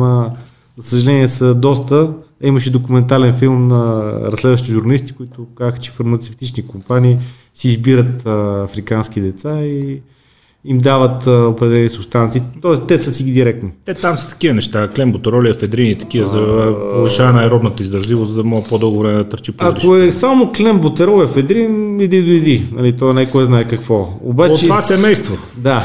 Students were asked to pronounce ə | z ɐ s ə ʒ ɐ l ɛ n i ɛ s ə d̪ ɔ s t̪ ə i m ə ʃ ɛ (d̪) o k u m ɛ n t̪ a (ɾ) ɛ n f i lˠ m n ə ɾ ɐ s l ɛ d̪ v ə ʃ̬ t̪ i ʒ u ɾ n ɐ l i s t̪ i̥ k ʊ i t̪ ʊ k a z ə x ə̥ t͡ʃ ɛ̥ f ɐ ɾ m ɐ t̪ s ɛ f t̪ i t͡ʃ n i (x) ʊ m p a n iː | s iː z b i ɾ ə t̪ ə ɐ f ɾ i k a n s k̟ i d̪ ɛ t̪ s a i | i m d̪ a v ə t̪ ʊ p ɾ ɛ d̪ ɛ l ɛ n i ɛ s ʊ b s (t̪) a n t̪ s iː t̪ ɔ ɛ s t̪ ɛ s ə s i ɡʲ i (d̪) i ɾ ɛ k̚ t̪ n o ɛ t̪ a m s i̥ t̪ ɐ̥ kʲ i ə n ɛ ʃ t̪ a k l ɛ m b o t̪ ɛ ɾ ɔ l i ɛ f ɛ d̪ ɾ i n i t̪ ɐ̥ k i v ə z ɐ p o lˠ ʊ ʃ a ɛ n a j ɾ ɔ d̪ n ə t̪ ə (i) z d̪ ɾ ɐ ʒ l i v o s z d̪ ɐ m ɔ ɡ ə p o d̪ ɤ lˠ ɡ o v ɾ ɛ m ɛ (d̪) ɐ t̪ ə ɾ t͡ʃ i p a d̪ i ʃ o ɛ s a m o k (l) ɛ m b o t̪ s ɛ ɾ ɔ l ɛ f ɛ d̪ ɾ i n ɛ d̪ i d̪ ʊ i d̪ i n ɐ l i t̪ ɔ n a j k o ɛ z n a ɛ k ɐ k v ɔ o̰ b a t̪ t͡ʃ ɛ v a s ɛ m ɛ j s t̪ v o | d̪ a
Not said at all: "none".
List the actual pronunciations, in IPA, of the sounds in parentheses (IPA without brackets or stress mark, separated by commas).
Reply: d̪, l, k, t̪, d̪, i, d̪, l